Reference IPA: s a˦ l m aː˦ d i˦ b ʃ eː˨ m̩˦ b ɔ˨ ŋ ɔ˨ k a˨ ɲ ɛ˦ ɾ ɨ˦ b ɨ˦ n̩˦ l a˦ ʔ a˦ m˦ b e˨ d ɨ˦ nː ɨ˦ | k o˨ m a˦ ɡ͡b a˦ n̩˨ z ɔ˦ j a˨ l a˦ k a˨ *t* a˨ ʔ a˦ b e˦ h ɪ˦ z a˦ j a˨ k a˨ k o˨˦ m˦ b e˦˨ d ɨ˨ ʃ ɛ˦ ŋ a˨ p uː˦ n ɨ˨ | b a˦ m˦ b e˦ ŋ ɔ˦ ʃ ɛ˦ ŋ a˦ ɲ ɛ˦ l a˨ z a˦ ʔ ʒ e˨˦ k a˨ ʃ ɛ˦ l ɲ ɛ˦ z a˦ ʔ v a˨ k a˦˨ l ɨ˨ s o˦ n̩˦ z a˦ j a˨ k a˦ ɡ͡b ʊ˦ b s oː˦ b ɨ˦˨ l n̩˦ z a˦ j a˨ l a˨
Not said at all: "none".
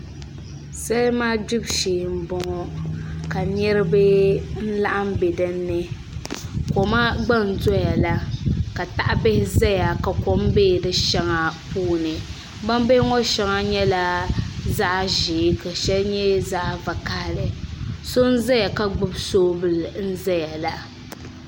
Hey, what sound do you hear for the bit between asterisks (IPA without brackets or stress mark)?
t